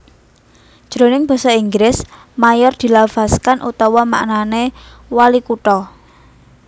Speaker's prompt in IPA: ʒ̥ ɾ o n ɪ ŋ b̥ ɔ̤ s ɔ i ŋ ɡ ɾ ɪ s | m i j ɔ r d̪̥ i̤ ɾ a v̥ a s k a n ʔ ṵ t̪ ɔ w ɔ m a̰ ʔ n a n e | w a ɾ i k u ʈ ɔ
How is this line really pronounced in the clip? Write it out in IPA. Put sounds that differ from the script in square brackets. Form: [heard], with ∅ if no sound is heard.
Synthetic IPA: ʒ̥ ɾ o n ɪ ŋ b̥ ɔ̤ s ɔ i ŋ ɡ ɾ ɪ s | m [a] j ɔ r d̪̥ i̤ [l] a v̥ a s k a n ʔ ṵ t̪ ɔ w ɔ m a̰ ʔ n a n e | w a [l] i k u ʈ ɔ